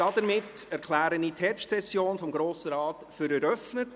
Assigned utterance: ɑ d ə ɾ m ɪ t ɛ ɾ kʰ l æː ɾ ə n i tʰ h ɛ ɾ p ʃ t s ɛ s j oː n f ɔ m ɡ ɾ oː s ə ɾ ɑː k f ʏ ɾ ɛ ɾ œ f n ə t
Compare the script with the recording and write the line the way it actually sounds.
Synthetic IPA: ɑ d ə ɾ m ɪ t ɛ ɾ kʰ l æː ɾ ə n i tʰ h ɛ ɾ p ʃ t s ɛ s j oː n f ɔ m ɡ ɾ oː s ə ɾ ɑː t f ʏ ɾ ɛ ɾ œ f n ə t

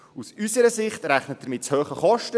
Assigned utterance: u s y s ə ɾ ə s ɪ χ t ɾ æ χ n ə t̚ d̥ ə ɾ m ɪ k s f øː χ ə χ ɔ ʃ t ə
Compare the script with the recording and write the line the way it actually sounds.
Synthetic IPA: u s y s ə ɾ ə s ɪ χ t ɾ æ χ n ə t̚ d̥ ə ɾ m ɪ t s h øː χ ə χ ɔ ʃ t ə

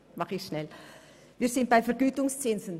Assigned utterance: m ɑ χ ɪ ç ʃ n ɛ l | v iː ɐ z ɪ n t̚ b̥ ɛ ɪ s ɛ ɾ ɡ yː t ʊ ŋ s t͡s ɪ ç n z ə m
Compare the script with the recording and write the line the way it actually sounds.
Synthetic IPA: m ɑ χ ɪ ç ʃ n ɛ l | v iː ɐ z ɪ n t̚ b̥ a ɪ f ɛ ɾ ɡ yː t ʊ ŋ s t͡s ɪ n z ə n

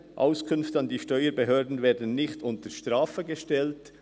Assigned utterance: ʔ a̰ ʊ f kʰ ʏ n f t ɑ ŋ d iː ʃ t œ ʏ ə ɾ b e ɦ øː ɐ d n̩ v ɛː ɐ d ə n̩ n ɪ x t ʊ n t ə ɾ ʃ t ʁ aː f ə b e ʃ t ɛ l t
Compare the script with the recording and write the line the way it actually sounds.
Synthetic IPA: ʔ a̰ ʊ s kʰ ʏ n f t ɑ n d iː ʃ t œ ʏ ə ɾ b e ɦ øː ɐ d n̩ v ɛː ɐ d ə n̩ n ɪ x t ʊ n t ə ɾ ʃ t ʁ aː f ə ɡ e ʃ t ɛ l t

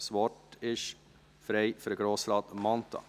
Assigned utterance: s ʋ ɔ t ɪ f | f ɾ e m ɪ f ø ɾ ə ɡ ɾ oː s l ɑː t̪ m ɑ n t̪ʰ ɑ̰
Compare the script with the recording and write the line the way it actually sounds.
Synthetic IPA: s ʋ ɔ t ɪ ʃ | f ɾ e ɪ f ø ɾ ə ɡ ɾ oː s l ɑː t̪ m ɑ n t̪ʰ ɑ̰

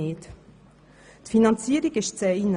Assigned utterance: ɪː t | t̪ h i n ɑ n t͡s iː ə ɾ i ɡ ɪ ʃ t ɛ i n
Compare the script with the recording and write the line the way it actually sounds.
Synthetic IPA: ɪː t | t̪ f i n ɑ n t͡s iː ə ɾ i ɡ ɪ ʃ t͡s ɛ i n

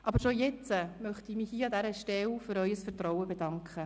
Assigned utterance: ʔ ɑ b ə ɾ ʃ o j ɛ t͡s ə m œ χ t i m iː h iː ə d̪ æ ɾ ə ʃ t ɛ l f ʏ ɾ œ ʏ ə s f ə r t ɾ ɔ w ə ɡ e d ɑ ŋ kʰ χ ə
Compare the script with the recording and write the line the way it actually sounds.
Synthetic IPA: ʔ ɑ b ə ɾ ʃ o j ɛ t͡s ə m œ χ t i m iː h iː ɑ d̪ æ ɾ ə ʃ t ɛ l f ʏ ɾ œ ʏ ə s f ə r t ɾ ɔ w ə b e d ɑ ŋ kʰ χ ə

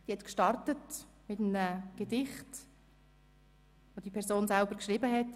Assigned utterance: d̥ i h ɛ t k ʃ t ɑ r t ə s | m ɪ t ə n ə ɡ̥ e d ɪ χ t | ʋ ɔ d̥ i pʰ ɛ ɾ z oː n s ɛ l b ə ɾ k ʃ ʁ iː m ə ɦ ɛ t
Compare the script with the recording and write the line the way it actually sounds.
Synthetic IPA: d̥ i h ɛ t k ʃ t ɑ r t ə t | m ɪ t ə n ə ɡ̥ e d ɪ χ t | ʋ o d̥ i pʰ ɛ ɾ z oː n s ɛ l b ə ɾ k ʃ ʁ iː b ə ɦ ɛ t

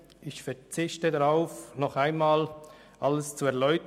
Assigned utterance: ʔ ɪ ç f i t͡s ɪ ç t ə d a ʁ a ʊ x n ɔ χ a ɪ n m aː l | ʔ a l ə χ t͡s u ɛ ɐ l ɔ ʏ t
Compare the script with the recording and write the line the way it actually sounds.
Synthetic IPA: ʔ ɪ ç f ɛ t͡s ɪ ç t ə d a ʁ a ʊ f n ɔ χ a ɪ n m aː l | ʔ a l ə s t͡s u ɛ ɐ l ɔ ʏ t

